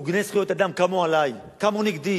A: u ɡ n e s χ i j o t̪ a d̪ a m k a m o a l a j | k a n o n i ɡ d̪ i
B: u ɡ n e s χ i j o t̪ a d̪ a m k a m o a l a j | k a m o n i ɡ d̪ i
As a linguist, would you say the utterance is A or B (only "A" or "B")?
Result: B